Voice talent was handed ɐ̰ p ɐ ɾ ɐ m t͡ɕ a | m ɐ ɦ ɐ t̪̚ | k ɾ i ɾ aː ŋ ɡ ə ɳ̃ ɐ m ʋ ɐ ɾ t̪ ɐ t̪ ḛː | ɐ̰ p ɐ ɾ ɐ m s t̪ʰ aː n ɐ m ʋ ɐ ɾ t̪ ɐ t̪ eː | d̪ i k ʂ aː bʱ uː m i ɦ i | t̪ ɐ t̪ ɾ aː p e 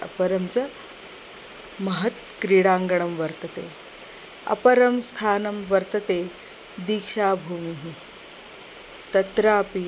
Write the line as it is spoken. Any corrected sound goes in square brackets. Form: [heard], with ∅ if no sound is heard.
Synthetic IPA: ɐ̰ p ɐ ɾ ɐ m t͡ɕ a | m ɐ ɦ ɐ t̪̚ | k ɾ i [ɽ] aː ŋ ɡ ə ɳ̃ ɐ m ʋ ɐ ɾ t̪ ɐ t̪ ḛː | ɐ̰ p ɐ ɾ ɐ m s t̪ʰ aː n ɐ m ʋ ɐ ɾ t̪ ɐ t̪ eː | d̪ i k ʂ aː bʱ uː m i ɦ i | t̪ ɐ t̪ ɾ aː p [i]